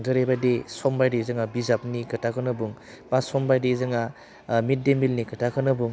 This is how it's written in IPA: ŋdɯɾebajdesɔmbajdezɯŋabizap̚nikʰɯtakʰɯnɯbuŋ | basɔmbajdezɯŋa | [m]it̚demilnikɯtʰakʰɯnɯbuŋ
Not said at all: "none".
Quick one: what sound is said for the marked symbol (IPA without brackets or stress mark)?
m